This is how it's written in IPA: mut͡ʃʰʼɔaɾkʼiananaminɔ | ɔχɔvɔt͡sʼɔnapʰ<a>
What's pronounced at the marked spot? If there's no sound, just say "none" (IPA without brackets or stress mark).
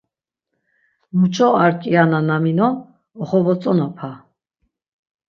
a